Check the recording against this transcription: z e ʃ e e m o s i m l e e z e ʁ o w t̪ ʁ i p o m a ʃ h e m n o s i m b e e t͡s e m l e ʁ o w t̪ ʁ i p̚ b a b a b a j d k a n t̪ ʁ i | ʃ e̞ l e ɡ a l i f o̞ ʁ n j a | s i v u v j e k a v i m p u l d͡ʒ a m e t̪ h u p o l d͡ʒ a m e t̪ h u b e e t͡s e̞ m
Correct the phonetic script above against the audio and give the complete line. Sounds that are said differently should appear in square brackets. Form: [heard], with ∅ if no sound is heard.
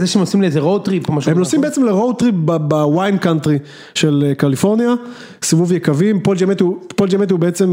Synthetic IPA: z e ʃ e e m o s i m l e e z e ʁ o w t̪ ʁ i p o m a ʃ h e m n o s i m b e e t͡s e m l e ʁ o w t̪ ʁ i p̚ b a b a [w] a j [n] k a n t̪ ʁ i | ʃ e̞ l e [k] a l i f o̞ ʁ n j a | s i v u v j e k a v i m p [o] l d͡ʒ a m e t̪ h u p o l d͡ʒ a m e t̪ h u b e e t͡s e̞ m